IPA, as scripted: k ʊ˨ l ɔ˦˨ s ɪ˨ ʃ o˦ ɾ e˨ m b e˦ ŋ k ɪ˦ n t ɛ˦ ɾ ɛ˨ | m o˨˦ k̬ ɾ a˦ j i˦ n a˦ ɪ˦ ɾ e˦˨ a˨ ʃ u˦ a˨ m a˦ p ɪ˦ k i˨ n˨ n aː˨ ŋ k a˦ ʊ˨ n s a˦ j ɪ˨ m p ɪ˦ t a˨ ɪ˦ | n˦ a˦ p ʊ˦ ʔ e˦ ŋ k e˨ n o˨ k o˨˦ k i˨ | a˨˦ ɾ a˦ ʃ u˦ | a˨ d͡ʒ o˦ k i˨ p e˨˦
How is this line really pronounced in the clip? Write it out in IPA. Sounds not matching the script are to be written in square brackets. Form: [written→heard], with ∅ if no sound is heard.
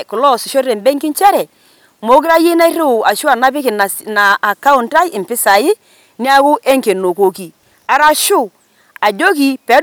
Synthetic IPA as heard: k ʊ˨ l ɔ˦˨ s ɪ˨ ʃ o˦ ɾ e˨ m b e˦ ŋ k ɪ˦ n [t→t͡ʃ] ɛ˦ ɾ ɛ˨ | m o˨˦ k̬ ɾ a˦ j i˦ n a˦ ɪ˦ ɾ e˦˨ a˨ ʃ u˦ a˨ [m→n] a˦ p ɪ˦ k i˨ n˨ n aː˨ [ŋ→∅] k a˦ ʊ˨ n [s→t] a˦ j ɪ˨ m p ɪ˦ [t→s] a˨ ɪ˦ | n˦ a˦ [p→k] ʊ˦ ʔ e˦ ŋ k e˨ n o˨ k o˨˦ k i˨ | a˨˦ ɾ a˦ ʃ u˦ | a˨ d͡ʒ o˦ k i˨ p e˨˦